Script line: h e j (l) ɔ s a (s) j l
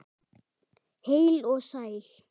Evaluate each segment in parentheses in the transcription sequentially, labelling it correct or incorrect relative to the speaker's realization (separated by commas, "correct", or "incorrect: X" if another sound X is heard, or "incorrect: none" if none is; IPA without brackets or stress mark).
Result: correct, incorrect: none